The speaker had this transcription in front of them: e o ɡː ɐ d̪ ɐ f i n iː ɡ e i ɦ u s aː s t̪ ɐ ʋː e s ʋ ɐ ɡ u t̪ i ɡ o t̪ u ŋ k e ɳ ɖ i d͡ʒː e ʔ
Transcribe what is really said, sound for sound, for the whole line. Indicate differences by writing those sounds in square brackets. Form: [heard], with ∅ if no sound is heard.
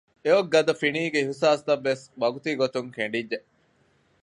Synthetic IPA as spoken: e o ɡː ɐ d̪ ɐ f i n iː ɡ e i ɦ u s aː s t̪ ɐ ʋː e s ʋ ɐ ɡ u t̪ i ɡ o t̪ u ŋ k e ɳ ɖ i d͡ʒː e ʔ

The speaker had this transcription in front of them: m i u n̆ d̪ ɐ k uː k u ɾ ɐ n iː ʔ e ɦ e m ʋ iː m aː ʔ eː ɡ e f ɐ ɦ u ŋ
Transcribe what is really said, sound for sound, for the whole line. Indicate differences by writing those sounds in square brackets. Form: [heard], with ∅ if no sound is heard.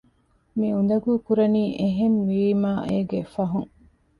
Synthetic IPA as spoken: m i u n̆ d̪ ɐ [ɡ] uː k u ɾ ɐ n iː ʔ e ɦ e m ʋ iː m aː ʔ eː ɡ e f ɐ ɦ u ŋ

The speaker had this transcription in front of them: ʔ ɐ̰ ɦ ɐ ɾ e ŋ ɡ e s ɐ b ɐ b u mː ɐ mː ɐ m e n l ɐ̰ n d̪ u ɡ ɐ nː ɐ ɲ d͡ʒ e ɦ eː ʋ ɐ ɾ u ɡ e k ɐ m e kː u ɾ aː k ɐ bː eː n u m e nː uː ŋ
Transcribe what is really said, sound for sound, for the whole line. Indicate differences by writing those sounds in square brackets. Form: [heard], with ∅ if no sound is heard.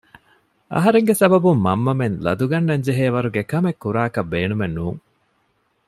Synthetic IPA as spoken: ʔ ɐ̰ ɦ ɐ ɾ e ŋ ɡ e s ɐ b ɐ b u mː ɐ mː ɐ m e n l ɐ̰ [∅] d̪ u ɡ ɐ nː ɐ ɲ d͡ʒ e ɦ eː ʋ ɐ ɾ u ɡ e k ɐ m e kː u ɾ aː k ɐ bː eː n u m e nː uː ŋ

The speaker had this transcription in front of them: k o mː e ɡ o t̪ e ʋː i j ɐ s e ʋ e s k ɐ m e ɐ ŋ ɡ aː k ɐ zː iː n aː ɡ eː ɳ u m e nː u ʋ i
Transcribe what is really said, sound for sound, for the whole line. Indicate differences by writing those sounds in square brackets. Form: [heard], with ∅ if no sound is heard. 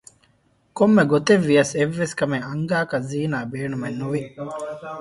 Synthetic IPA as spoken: k o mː e ɡ o t̪ e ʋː i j ɐ s e [ʋː] e s k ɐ m e ɐ ŋ ɡ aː k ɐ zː iː n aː [b] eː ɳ u m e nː u ʋ i

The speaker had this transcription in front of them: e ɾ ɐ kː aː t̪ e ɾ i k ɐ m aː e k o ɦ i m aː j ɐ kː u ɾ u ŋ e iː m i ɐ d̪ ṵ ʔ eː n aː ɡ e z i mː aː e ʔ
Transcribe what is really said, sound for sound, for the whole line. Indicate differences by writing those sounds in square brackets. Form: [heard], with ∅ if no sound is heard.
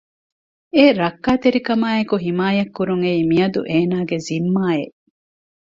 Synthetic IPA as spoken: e ɾ ɐ kː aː t̪ e ɾ i k ɐ m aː e k [u] ɦ i m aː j ɐ kː u ɾ u ŋ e iː m i ɐ d̪ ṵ ʔ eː n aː ɡ e z i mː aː e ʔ

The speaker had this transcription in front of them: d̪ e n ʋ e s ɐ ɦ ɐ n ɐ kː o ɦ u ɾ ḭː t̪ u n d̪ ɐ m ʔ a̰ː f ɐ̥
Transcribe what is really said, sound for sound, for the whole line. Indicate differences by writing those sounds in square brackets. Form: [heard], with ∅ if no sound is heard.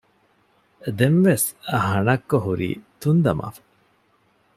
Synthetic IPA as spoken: d̪ e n ʋ e s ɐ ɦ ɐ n ɐ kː o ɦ u ɾ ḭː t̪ u n d̪ ɐ m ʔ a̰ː f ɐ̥

